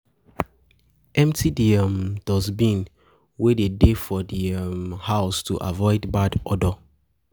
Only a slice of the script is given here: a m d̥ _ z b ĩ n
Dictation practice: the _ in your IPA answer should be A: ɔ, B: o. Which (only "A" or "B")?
A